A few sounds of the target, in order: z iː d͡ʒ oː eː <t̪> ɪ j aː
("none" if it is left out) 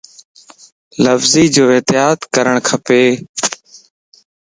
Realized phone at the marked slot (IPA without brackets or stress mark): t̪